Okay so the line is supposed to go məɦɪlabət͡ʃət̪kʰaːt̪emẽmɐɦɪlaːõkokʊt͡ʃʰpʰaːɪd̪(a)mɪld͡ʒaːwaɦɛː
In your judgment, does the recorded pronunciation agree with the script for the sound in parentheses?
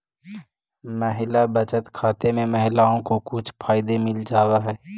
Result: no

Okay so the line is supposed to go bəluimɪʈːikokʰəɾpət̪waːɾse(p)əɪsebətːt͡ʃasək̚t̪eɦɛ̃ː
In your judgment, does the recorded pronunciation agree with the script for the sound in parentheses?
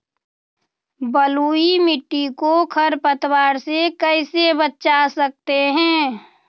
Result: no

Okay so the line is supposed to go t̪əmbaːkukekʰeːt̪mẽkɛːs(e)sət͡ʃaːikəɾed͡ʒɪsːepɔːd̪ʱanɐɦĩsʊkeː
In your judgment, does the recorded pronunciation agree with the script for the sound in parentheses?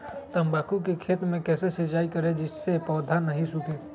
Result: yes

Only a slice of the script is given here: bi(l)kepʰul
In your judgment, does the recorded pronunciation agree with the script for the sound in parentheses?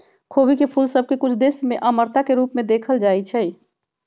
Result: no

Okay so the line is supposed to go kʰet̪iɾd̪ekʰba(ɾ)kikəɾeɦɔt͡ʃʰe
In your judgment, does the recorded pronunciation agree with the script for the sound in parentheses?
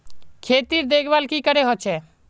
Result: no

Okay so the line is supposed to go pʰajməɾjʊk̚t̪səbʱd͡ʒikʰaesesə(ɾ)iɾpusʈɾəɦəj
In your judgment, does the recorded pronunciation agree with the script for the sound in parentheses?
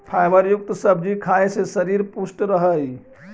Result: yes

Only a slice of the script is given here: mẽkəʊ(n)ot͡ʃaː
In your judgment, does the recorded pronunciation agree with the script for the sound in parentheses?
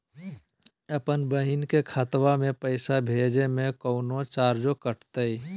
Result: yes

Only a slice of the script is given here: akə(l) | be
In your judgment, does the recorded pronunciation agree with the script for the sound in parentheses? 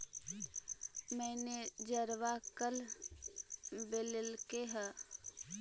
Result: yes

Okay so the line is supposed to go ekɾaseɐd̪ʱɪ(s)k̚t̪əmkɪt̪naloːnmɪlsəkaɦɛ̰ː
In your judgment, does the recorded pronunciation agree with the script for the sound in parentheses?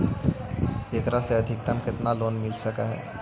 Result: no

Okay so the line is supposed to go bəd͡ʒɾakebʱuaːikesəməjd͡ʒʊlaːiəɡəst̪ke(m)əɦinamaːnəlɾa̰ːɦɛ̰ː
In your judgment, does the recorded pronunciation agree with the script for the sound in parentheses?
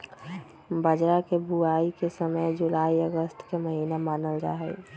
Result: yes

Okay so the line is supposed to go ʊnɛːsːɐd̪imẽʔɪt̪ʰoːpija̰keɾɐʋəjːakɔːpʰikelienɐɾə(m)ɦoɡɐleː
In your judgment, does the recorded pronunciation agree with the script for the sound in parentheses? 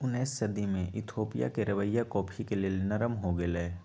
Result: yes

